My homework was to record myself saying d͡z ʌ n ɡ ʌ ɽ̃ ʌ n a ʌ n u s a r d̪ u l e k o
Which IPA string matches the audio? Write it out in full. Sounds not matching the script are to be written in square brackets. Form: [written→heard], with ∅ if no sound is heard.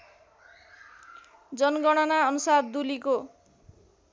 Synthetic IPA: d͡z ʌ n ɡ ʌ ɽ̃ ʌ n a ʌ n u s a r d̪ u l [e→i] k o

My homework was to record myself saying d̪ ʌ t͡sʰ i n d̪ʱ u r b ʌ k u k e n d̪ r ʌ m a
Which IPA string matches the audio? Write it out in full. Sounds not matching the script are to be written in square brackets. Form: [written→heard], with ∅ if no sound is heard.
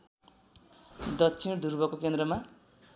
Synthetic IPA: d̪ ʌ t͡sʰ i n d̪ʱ u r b ʌ k [u→o] k e n d̪ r ʌ m a

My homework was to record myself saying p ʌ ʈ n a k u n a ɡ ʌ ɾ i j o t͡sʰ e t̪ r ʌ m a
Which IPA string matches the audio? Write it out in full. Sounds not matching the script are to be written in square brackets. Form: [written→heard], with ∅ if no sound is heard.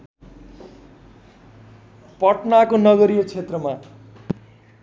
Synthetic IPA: p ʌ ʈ n a k [u→o] n [a→ʌ] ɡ ʌ ɾ i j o t͡sʰ e t̪ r ʌ m a

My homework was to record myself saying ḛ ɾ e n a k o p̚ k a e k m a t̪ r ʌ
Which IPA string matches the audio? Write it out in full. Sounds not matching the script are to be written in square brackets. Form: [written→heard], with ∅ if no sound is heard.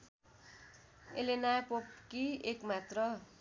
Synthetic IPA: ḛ [ɾ→l] e n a [k→p] o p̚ k [a→i] e k m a t̪ r ʌ

